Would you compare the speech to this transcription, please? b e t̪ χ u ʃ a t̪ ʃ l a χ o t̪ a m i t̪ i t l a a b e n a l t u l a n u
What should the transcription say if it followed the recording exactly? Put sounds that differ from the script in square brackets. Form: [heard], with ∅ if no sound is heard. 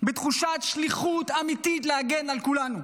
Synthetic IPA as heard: b e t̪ χ u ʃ a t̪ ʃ l [i] χ [u] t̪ a m i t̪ i t l [e] a [ɡ] e n a l [k] u l a n u